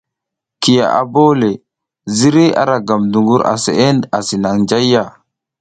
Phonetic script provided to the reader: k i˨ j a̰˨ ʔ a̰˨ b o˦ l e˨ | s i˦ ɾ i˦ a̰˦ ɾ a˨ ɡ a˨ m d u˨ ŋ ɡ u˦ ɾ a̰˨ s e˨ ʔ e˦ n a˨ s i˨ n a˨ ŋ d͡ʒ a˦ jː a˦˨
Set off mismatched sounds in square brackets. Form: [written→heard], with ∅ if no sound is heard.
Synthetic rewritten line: k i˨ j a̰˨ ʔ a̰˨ b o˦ l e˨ | [s→z] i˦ ɾ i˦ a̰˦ ɾ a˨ ɡ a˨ m d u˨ ŋ ɡ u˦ ɾ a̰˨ s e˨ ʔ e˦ n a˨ s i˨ n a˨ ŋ d͡ʒ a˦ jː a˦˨